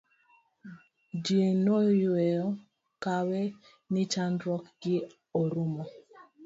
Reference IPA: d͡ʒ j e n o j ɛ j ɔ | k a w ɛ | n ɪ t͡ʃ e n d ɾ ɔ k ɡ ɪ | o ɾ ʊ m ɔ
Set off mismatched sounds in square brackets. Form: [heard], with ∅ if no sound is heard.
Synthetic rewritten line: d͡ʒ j e n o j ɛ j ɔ | k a w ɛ | n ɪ t͡ʃ [a] n d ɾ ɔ k ɡ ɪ | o ɾ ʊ m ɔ

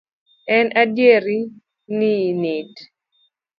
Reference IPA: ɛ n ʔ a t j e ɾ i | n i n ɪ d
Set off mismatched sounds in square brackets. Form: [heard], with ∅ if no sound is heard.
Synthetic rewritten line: ɛ n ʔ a [d] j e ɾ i | n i n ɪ d

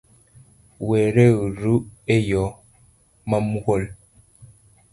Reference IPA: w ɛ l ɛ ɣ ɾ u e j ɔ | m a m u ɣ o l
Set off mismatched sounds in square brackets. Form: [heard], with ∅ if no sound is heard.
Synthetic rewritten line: w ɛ [ɾ] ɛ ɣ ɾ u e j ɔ | m a m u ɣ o l

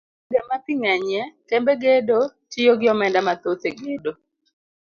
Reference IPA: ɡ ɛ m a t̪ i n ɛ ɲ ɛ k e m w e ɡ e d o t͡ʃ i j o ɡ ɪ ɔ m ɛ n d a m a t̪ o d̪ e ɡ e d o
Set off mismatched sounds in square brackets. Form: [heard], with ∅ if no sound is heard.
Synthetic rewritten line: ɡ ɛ m a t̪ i [ŋ] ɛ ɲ ɛ k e m [b] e ɡ e d o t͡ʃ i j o ɡ ɪ ɔ m ɛ n d a m a t̪ o [t̪] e ɡ e d o

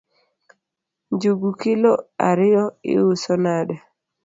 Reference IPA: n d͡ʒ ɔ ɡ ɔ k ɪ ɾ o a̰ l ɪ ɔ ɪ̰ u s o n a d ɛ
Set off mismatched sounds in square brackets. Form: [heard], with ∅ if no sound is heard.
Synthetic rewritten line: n d͡ʒ [u] ɡ [u] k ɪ [l] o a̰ [ɾ] ɪ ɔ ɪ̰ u s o n a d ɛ

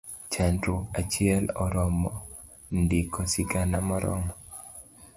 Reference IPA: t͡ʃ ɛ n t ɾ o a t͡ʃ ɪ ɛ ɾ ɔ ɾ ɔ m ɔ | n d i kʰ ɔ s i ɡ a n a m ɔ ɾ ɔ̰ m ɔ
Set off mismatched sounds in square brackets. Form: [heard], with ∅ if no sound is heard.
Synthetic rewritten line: t͡ʃ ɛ n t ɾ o a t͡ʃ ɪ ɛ [l] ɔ ɾ ɔ m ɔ | n d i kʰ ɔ s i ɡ a n a m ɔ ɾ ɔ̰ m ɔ

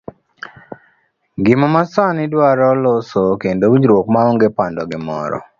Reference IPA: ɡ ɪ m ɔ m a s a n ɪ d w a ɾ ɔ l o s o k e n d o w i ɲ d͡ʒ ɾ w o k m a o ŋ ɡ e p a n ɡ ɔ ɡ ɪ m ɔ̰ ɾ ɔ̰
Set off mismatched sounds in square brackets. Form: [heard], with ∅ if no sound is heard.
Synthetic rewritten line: ɡ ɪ m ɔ m a s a n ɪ d w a ɾ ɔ l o s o k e n d o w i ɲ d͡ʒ ɾ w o k m a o ŋ ɡ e p a n [d] ɔ ɡ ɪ m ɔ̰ ɾ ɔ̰

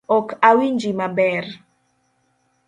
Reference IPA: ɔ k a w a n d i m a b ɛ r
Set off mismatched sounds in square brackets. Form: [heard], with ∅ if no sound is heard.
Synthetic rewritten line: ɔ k a w [i] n [d͡ʒ] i m a b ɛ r

